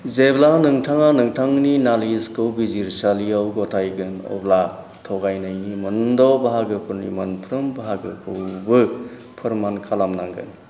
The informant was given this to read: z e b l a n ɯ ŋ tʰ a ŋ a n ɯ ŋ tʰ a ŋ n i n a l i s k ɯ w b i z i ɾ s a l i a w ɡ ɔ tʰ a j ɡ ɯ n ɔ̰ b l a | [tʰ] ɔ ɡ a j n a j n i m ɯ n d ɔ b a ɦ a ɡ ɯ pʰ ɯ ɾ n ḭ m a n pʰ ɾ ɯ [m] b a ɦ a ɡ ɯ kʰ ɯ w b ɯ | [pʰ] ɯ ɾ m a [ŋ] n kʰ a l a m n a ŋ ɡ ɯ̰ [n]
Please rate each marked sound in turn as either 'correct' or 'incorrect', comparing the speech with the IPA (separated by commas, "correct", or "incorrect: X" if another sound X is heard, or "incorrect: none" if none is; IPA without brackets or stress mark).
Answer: correct, correct, correct, incorrect: none, correct